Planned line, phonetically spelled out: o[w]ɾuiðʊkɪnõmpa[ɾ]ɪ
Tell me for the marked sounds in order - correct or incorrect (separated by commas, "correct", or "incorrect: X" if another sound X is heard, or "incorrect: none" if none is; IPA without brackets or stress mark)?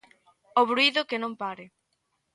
incorrect: β, correct